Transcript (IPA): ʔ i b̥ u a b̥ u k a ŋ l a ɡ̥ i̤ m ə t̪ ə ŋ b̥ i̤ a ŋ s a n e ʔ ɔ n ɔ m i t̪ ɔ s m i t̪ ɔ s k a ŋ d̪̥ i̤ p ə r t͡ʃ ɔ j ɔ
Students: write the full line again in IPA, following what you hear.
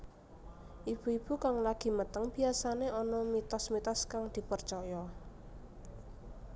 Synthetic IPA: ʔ i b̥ u i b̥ u k a ŋ l a ɡ̥ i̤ m ə t̪ ə ŋ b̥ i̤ a s a n e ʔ ɔ n ɔ m i t̪ ɔ s m i t̪ ɔ s k a ŋ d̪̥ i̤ p ə r t͡ʃ ɔ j ɔ